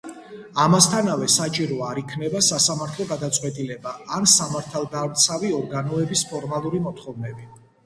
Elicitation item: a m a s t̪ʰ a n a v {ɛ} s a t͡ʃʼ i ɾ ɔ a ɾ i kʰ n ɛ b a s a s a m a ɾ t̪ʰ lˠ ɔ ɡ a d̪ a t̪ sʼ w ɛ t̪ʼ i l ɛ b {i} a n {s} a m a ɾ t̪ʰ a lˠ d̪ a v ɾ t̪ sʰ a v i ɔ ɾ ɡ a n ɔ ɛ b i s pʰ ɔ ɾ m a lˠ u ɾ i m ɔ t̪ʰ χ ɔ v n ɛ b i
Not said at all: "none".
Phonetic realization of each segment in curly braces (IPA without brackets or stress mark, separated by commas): ɛ, a, s